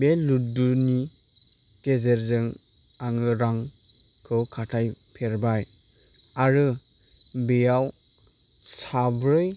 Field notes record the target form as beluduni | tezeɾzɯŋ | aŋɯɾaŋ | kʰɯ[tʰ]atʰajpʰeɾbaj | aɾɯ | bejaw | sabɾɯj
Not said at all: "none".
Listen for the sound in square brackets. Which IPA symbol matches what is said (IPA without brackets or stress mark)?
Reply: kʰ